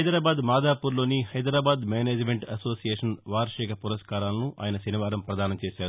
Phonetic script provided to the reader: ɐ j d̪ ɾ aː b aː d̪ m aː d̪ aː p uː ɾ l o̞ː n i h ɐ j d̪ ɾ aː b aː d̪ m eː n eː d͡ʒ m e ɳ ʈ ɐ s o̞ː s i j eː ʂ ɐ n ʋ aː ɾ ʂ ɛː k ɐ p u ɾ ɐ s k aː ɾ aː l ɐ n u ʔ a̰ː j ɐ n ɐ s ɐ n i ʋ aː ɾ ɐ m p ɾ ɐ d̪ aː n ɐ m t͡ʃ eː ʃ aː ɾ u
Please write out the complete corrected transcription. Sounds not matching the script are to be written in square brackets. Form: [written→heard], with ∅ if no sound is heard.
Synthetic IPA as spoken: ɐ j d̪ ɾ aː b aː d̪ m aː d̪ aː p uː ɾ l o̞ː n i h ɐ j d̪ ɾ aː b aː d̪ m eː n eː d͡ʒ m e ɳ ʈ ɐ s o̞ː s i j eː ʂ ɐ n ʋ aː ɾ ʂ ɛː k ɐ p u ɾ ɐ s k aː ɾ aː l ɐ n u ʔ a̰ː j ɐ n ɐ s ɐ n i ʋ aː ɾ ɐ m p ɾ ɐ d̪ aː n ɐ m t͡ʃ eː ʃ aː ɾ u